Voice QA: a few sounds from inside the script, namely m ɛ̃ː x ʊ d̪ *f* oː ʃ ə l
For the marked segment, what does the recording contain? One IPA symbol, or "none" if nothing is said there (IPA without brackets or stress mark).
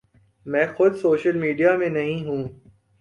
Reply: s